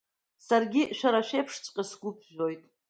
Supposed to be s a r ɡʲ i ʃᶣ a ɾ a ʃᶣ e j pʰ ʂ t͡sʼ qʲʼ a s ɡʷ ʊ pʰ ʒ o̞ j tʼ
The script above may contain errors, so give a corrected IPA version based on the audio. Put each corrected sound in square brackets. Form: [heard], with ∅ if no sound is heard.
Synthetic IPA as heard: s a r ɡʲ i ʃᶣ a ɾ a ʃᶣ e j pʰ ʂ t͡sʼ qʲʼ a s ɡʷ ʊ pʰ ʒ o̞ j tʼ